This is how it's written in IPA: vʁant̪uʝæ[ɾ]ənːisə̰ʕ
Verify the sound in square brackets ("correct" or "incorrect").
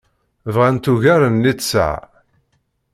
correct